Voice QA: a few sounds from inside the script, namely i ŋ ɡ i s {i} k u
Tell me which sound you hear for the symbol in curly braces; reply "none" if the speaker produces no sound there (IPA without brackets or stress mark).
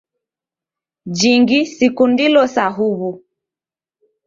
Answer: i